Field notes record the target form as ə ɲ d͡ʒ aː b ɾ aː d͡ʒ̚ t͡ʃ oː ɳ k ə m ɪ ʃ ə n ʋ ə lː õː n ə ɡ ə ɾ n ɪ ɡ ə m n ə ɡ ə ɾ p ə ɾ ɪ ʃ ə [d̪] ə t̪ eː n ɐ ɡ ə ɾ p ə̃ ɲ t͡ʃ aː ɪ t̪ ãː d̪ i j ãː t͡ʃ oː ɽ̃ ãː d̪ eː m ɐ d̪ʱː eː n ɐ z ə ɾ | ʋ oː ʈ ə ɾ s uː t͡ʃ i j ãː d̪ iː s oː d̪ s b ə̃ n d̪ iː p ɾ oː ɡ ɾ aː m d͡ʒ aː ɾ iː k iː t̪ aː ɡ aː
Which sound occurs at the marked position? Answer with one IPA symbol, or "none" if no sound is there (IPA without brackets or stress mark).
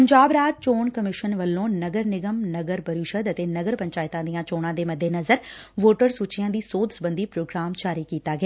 d̪